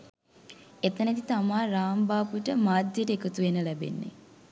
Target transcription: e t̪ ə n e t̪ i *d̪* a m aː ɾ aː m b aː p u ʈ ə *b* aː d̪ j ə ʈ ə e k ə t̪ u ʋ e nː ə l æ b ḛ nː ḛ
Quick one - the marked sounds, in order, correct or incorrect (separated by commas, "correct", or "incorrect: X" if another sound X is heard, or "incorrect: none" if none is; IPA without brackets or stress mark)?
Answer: incorrect: t̪, incorrect: m